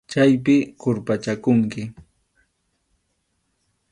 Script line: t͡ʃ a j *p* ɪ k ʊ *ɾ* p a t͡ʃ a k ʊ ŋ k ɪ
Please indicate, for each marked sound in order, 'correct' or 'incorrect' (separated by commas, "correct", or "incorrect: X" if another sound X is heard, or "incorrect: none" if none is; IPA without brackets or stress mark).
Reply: correct, correct